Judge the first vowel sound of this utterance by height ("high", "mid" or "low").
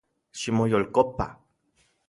high